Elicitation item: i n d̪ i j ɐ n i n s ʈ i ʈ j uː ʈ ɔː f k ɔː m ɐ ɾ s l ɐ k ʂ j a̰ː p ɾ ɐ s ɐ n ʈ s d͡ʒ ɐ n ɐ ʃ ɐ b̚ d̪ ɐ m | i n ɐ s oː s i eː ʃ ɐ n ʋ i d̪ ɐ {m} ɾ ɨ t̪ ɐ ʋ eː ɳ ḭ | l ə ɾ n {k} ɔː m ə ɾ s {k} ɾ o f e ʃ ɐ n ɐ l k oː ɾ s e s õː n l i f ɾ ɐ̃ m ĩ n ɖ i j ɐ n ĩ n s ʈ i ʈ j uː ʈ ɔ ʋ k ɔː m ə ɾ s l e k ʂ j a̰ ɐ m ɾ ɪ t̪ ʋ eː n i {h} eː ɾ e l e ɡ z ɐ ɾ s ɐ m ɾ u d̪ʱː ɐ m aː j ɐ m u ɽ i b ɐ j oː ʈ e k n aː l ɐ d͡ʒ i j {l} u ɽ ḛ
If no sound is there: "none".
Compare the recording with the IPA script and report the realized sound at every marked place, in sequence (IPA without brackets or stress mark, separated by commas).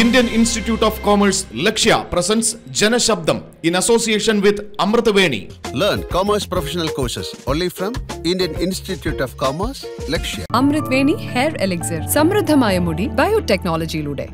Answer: m, k, p, h, l